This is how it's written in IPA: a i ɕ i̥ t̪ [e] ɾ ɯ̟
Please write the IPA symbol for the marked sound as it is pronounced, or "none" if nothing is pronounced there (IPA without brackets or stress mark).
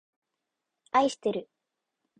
e